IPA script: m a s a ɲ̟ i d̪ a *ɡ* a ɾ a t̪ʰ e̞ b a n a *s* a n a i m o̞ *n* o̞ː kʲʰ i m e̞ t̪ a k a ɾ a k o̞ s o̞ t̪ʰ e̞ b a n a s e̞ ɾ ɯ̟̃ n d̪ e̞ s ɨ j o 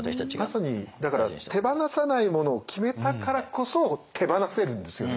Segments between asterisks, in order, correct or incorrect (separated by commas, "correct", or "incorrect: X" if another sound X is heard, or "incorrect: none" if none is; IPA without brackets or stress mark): incorrect: k, correct, correct